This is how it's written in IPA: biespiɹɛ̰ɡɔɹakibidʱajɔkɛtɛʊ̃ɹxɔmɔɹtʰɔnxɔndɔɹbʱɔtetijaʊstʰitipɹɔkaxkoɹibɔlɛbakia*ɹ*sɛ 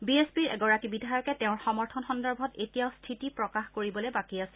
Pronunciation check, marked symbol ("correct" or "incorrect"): incorrect